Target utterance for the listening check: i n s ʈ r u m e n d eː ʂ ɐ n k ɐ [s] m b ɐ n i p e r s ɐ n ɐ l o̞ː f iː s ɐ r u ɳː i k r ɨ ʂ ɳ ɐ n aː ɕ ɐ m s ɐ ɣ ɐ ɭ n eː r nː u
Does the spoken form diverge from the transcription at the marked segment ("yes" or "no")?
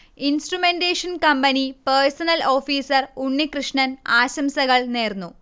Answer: yes